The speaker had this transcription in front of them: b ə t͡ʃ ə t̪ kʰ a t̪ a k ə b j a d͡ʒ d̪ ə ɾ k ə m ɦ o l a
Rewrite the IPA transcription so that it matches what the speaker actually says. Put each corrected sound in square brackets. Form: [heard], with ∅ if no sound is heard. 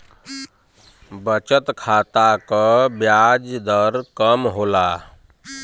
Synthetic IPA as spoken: b ə t͡ʃ ə t̪ kʰ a t̪ a k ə b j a d͡ʒ d̪ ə ɾ k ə m ɦ o l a